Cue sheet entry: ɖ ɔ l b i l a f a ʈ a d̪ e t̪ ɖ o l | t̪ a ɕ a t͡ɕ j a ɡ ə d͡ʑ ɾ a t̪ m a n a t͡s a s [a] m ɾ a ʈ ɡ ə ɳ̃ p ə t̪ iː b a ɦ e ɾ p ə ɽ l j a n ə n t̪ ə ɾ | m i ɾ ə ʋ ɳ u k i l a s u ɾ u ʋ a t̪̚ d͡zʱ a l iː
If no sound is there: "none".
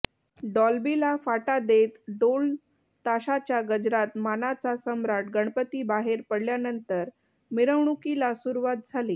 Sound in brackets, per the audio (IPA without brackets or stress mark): ə